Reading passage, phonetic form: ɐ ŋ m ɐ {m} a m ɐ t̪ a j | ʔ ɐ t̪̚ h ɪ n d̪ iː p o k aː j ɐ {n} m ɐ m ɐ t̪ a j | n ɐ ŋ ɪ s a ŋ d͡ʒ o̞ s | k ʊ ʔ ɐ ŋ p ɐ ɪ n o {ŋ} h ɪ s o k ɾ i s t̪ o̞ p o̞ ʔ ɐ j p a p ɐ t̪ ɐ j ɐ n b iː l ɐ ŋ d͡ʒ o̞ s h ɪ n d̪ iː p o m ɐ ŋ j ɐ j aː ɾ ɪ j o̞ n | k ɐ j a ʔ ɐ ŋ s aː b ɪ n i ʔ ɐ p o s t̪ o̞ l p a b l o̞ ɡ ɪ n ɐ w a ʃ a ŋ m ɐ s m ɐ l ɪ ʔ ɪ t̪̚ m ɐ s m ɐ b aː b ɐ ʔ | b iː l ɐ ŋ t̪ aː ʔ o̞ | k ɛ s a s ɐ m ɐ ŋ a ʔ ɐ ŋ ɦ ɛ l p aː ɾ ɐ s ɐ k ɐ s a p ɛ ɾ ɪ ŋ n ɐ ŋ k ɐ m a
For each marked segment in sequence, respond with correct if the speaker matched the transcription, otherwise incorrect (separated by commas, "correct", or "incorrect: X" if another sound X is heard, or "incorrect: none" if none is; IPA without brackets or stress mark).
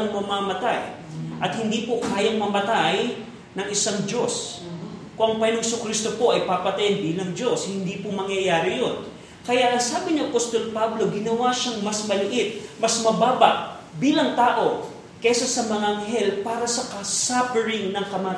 correct, incorrect: ŋ, correct